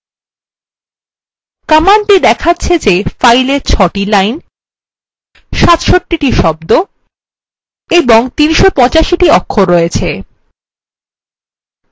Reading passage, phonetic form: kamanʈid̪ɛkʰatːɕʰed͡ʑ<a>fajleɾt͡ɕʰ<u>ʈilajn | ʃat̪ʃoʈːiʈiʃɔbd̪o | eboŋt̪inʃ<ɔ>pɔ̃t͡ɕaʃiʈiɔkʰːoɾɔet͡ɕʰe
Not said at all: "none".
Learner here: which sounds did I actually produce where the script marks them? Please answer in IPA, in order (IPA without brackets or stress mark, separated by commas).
e, ɔ, o